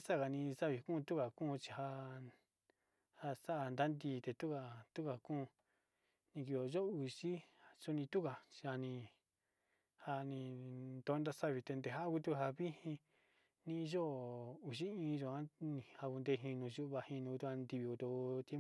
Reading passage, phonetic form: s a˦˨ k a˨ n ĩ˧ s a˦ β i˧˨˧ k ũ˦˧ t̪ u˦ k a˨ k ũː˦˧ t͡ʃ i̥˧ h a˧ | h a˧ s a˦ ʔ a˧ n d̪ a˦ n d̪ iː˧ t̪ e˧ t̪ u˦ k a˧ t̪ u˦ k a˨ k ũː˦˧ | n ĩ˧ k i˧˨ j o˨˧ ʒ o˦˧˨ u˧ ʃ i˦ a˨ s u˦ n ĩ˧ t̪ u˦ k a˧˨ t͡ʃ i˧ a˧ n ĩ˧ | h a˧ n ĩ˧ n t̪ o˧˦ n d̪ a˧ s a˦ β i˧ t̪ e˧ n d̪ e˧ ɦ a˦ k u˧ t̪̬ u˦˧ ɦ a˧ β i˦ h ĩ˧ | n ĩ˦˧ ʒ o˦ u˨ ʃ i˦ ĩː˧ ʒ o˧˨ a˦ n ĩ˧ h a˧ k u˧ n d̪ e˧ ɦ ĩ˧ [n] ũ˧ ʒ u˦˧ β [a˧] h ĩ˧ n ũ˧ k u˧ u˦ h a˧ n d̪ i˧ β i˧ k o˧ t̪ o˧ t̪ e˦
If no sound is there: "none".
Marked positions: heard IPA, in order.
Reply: n, a˧

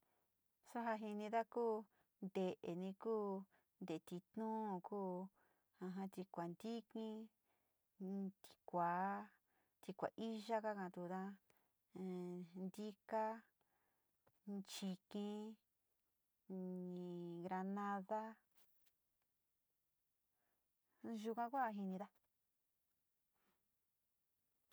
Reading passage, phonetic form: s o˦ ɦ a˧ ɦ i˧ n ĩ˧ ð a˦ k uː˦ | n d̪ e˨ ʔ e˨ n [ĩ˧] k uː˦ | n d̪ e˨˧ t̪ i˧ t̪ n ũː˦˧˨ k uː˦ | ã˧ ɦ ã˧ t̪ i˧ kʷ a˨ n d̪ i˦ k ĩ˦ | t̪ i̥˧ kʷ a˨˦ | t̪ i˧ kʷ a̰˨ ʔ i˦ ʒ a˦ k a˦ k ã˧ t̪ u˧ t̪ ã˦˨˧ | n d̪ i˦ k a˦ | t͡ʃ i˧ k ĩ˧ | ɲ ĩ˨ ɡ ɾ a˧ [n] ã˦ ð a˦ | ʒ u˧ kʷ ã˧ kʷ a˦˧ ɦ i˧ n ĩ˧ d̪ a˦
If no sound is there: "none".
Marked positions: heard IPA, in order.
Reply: ĩ˧, n

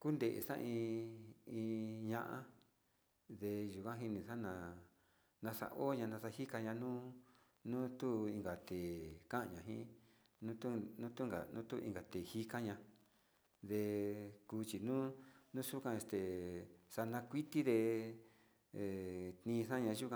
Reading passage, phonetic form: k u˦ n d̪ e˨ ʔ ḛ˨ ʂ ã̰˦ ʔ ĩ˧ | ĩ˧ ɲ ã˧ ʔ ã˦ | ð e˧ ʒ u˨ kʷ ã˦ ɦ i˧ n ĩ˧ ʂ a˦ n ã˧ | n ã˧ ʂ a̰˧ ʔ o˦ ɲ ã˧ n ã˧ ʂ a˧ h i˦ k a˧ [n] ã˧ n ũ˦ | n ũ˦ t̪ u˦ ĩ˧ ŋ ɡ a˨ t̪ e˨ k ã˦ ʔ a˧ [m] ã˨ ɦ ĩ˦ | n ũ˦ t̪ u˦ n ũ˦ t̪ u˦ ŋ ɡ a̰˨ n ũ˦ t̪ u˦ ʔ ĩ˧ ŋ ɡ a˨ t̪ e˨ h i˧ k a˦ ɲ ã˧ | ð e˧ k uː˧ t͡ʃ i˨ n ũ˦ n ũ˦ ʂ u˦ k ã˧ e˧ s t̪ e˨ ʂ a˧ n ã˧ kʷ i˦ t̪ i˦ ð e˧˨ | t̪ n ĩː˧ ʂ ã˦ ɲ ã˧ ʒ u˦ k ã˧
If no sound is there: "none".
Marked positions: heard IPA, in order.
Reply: ɲ, ɲ

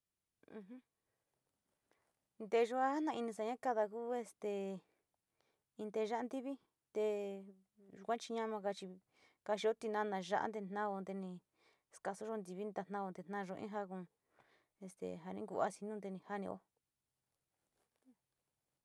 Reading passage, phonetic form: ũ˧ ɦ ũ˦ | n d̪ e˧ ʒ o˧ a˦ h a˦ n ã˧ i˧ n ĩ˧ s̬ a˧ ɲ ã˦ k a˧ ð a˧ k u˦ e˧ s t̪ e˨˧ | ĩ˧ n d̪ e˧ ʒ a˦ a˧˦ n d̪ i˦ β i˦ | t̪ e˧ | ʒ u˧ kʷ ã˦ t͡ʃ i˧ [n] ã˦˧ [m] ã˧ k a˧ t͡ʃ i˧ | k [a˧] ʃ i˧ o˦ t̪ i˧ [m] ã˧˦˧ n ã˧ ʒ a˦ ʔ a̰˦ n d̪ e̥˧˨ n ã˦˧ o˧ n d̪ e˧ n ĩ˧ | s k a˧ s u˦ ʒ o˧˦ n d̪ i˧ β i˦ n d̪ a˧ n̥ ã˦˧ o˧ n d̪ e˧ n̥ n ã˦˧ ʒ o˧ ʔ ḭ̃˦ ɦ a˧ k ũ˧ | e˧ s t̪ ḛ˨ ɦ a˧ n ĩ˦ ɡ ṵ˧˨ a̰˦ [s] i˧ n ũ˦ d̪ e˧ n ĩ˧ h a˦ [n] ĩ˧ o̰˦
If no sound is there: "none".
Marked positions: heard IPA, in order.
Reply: ɲ, m, a˧, n, s, n

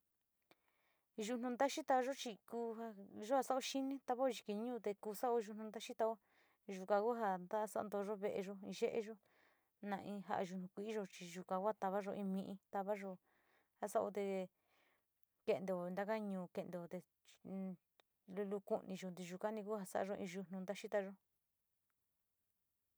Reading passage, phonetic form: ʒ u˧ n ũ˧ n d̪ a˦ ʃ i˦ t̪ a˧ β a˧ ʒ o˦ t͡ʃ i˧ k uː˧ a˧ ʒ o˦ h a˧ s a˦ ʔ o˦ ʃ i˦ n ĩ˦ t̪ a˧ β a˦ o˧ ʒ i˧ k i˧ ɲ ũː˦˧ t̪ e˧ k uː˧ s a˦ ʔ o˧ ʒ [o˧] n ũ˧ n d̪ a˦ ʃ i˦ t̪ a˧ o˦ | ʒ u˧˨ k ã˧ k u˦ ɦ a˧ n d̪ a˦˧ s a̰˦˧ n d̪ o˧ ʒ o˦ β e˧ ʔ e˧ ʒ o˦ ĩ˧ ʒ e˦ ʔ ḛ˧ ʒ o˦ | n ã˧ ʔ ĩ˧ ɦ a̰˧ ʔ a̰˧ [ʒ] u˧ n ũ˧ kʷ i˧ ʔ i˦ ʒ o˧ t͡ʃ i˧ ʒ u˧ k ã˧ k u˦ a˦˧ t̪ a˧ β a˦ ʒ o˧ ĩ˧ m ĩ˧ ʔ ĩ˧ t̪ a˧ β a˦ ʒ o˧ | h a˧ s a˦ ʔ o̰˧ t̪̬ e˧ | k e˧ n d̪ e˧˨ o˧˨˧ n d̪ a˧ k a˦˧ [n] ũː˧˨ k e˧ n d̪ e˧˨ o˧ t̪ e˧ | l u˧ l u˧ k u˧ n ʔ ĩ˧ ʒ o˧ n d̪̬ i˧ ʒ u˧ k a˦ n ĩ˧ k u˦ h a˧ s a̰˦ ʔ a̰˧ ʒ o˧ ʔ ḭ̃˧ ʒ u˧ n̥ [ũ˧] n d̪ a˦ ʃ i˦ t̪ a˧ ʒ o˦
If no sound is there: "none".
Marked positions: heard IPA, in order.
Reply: u˧, ʒ, ɲ, ũ˧

